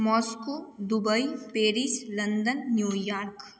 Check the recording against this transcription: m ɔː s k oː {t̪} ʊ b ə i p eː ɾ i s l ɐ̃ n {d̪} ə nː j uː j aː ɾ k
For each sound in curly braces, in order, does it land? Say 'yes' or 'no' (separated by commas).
no, yes